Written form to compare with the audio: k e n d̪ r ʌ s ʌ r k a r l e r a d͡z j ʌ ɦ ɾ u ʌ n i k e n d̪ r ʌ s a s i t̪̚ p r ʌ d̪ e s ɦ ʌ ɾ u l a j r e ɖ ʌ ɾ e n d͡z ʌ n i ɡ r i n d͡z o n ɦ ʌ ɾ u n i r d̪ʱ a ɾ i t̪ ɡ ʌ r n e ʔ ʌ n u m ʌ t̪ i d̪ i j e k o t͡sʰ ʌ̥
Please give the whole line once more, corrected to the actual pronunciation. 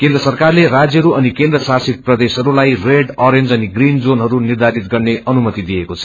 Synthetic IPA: k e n d̪ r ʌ s ʌ r k a r l e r a d͡z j ʌ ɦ ɾ u ʌ n i k e n d̪ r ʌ s a s i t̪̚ p r ʌ d̪ e s ɦ ʌ ɾ u l a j r e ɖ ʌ ɾ e n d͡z ʌ n i ɡ r i n d͡z o n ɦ ʌ ɾ u n i r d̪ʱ a ɾ i t̪ ɡ ʌ r n e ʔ ʌ n u m ʌ t̪ i d̪ i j e k o t͡sʰ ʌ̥